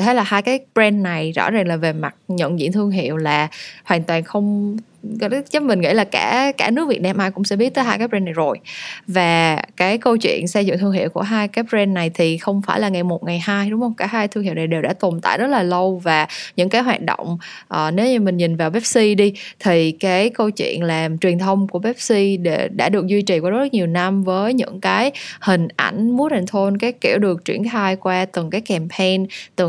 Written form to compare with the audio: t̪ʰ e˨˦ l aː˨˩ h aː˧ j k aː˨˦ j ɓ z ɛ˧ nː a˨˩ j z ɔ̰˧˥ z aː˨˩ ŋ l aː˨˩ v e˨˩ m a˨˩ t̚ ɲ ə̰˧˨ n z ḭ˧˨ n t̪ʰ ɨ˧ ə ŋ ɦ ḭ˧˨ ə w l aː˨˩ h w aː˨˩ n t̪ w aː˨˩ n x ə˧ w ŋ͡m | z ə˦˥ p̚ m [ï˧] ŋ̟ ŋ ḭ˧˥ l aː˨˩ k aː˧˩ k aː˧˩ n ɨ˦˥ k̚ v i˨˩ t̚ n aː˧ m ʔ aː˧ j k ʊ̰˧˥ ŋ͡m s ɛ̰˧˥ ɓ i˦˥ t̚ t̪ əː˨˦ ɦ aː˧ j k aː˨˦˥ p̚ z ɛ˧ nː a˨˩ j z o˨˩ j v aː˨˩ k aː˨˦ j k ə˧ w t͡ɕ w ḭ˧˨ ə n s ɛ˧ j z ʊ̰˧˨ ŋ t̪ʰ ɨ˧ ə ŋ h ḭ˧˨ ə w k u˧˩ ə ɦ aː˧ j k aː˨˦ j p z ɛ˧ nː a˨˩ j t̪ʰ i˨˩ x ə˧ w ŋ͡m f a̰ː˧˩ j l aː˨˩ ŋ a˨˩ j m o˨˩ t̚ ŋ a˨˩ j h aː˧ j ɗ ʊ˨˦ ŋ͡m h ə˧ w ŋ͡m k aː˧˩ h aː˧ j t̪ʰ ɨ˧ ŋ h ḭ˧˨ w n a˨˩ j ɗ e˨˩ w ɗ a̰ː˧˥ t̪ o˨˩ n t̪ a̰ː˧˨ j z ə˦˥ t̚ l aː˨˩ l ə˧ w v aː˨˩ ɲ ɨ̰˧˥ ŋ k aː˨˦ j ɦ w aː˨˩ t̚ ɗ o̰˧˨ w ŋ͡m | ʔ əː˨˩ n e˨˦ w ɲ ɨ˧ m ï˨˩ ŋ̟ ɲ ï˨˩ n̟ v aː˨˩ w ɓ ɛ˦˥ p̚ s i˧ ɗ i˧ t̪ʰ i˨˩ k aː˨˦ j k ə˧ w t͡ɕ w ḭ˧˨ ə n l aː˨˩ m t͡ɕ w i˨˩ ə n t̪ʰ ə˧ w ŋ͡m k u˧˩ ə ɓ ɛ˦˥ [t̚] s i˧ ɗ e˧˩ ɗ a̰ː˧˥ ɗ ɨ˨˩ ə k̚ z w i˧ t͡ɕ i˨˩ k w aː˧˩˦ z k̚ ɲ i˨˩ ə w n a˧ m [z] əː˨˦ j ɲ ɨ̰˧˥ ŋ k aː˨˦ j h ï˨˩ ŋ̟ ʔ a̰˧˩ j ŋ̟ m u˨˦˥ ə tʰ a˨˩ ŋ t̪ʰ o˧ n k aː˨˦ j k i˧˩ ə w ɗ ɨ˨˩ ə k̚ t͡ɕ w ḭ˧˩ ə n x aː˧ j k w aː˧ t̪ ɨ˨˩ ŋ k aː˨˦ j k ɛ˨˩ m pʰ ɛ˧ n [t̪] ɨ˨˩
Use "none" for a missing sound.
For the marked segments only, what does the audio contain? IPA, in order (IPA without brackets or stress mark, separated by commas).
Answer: ï˨˩, p̚, v, t̪